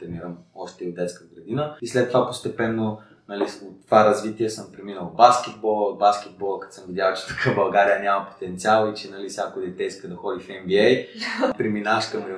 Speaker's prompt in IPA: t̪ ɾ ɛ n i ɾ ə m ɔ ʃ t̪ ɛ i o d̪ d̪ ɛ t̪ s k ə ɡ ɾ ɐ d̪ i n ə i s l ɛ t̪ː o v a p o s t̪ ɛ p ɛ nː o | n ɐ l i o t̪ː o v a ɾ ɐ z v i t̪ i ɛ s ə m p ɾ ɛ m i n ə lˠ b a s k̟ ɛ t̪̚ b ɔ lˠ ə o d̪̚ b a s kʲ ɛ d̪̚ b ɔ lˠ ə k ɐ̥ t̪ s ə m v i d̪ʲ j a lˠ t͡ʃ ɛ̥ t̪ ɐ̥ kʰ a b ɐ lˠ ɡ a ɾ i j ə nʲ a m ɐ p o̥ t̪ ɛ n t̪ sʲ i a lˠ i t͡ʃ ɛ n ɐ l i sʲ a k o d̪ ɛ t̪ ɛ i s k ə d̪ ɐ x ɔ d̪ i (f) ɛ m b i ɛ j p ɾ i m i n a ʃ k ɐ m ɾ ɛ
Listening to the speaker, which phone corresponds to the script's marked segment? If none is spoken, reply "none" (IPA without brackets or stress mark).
f